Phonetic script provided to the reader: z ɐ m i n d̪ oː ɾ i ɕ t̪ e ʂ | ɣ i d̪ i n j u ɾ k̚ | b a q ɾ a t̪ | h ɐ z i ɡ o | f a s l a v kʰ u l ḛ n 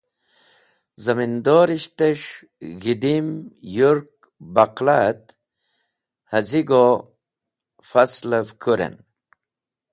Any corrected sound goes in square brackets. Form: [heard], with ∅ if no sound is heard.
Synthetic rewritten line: z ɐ m i n d̪ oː ɾ i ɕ t̪ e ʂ | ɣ i d̪ i [m] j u ɾ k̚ | b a q [l] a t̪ | h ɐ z i ɡ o | f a s l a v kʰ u [ɾ] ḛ n